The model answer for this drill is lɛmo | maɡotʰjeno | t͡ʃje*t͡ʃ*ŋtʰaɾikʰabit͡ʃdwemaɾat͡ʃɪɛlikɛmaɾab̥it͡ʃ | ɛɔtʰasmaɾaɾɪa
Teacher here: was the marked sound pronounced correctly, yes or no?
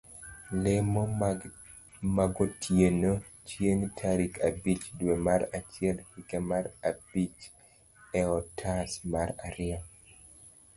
no